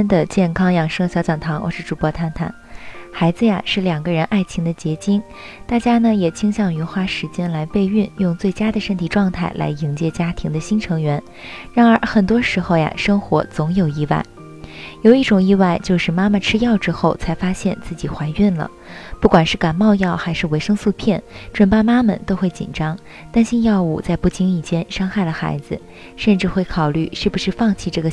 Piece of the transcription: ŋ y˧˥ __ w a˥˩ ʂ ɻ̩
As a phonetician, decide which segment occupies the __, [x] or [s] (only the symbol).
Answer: x